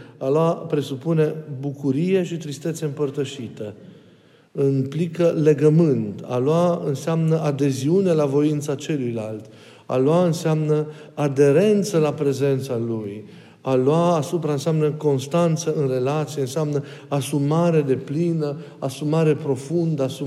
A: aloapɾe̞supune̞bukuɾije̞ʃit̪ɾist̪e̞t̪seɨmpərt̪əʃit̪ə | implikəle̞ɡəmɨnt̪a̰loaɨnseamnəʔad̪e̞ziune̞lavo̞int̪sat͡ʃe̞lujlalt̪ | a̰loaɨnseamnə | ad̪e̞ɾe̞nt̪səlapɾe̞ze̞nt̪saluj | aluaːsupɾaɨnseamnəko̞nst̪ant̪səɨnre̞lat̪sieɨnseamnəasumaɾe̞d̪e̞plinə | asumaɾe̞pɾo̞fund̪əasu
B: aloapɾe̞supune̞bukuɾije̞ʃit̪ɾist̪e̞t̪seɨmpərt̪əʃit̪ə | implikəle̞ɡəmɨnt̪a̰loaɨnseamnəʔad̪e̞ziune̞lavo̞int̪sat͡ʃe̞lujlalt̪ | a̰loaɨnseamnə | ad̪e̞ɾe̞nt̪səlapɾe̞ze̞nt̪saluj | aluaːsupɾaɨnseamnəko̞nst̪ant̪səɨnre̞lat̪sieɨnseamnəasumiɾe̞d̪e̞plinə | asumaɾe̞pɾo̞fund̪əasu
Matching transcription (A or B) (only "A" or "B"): A